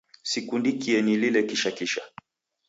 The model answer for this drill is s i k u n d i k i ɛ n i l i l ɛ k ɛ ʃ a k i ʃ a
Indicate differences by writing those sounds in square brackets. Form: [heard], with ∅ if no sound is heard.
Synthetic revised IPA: s i k u n d i k i ɛ n i l i l ɛ k [i] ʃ a k i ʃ a